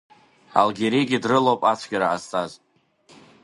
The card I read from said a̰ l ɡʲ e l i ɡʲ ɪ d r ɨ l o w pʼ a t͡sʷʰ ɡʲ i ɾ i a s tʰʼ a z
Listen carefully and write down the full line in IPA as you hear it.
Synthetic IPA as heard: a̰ l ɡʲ e ɾ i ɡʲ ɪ d r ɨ l o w pʼ a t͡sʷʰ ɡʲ a ɾ a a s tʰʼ a z